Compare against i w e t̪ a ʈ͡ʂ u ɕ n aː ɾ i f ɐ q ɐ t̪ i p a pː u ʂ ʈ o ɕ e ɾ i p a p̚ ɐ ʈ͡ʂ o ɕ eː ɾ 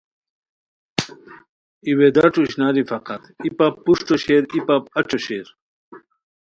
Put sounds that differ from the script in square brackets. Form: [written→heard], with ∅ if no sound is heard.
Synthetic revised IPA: i w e [t̪→d̪] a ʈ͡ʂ u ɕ n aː ɾ i f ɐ q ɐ t̪ i p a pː u ʂ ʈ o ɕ e ɾ i p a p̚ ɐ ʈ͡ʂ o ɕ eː ɾ